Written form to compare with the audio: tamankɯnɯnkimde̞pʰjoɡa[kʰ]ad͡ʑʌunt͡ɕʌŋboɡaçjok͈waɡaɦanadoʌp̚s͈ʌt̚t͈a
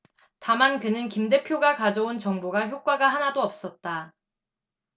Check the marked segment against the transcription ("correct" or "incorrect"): incorrect